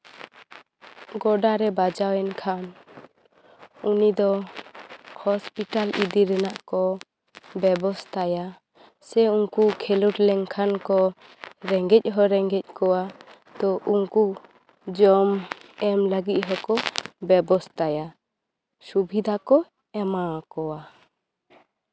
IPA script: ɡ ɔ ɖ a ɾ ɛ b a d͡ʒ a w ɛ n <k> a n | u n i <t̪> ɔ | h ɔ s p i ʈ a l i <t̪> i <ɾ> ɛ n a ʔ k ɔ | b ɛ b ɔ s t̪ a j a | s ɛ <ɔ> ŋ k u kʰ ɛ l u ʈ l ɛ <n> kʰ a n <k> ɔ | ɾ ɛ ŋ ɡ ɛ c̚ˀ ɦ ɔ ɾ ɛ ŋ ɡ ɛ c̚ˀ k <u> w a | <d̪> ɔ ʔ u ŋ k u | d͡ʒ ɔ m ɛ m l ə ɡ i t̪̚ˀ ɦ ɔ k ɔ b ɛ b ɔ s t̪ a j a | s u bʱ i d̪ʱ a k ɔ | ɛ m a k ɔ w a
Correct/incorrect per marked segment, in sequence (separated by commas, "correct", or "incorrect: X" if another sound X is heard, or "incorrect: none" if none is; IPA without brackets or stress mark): incorrect: kʰ, incorrect: d̪, incorrect: d̪, correct, incorrect: u, incorrect: ŋ, correct, incorrect: ɔ, incorrect: t̪